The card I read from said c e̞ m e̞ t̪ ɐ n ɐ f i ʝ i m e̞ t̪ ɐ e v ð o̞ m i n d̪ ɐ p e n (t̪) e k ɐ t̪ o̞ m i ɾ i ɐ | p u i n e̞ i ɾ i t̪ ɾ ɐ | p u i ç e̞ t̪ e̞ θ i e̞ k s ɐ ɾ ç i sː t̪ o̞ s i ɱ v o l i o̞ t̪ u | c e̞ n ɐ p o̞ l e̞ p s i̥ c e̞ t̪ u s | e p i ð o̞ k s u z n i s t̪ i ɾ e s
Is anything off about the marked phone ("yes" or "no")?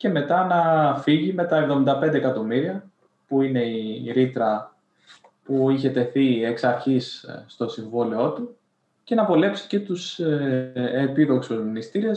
yes